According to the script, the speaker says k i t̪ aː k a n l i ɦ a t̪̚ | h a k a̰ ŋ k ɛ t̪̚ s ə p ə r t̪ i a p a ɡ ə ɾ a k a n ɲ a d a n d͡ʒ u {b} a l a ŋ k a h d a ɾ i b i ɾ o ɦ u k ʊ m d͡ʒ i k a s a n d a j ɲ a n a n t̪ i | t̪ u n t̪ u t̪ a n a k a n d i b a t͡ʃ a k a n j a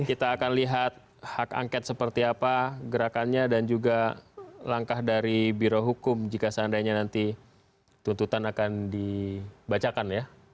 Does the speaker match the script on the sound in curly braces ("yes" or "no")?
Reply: no